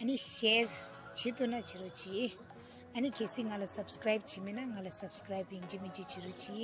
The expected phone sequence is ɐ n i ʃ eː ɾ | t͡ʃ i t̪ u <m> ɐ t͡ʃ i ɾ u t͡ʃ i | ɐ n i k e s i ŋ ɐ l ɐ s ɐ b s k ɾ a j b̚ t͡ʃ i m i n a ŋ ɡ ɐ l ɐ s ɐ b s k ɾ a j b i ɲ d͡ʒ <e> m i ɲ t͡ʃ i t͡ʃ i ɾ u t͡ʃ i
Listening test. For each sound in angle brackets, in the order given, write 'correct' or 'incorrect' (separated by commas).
incorrect, incorrect